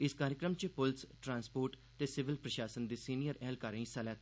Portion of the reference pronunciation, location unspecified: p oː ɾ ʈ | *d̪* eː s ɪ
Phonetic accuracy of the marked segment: incorrect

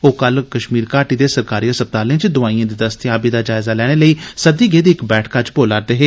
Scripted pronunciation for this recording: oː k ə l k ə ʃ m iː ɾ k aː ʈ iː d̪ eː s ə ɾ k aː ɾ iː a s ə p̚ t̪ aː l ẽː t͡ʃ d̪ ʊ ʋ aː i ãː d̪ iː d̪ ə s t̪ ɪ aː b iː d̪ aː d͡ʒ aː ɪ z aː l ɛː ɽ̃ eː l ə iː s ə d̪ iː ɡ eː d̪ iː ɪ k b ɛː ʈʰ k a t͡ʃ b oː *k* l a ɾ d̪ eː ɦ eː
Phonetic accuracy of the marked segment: incorrect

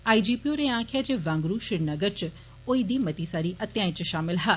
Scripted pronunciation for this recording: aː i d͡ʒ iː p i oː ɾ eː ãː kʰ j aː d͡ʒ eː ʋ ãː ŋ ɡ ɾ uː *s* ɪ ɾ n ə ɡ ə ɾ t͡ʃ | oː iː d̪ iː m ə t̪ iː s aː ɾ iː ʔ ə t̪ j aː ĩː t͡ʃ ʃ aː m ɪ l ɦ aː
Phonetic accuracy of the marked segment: incorrect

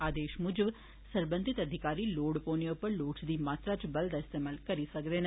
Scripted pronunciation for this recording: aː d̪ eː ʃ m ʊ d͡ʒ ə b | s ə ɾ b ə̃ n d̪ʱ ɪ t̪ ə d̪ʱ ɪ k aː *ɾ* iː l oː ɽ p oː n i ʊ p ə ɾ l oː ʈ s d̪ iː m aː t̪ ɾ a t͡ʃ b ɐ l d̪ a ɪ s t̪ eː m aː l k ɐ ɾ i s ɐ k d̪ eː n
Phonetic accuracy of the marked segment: correct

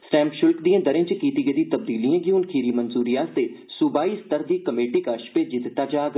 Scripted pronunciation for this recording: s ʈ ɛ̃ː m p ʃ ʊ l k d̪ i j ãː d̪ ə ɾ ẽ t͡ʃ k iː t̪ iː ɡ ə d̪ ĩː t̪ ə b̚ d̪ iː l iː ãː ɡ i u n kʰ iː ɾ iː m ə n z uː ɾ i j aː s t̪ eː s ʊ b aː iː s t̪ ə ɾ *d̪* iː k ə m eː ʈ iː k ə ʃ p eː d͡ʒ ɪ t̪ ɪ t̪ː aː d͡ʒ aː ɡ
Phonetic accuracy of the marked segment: correct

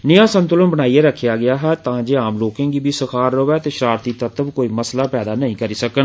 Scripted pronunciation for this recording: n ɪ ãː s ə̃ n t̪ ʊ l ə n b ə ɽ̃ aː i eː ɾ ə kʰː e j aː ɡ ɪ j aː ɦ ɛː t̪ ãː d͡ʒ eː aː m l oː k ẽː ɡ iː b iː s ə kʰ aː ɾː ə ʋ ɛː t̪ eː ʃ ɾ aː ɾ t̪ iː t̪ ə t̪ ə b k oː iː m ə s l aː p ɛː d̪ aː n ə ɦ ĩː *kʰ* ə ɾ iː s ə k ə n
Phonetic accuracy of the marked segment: incorrect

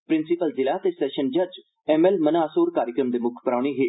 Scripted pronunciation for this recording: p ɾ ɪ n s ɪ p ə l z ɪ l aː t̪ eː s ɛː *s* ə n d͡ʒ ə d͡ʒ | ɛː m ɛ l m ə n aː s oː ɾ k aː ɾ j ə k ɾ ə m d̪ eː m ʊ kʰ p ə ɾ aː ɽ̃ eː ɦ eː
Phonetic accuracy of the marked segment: incorrect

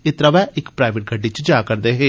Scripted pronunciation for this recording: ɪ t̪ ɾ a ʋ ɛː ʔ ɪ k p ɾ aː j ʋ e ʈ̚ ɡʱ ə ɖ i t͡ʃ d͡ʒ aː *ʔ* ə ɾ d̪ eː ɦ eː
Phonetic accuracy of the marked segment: incorrect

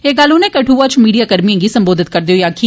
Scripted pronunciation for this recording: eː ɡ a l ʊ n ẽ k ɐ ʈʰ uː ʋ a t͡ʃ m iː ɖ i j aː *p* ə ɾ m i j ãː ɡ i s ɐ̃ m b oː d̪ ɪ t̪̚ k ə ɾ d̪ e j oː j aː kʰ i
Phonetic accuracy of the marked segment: incorrect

